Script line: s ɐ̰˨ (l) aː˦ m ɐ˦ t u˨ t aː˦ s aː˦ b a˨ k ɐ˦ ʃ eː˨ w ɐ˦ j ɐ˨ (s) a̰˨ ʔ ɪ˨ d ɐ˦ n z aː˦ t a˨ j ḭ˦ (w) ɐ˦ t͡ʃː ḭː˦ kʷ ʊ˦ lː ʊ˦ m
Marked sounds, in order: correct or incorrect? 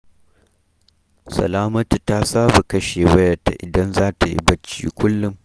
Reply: correct, incorrect, incorrect

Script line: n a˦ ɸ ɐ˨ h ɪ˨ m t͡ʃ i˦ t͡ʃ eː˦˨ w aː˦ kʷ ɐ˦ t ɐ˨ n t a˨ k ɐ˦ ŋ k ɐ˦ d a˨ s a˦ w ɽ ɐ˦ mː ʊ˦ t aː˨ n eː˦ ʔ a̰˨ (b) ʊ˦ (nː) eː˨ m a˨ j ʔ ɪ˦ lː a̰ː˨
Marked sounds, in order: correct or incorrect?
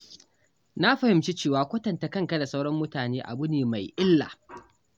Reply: correct, incorrect

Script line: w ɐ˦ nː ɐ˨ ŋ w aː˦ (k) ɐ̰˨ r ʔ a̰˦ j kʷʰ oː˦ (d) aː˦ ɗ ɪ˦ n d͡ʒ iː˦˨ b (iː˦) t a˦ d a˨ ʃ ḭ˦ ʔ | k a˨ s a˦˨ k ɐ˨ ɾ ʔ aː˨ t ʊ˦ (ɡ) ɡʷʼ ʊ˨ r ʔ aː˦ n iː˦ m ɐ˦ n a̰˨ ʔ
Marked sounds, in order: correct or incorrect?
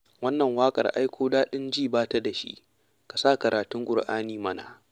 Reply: incorrect, correct, incorrect, incorrect

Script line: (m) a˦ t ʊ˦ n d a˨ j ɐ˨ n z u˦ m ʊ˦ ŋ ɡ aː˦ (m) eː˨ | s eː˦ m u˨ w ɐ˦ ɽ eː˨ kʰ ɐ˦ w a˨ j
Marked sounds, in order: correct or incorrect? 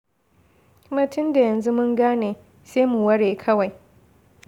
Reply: correct, incorrect

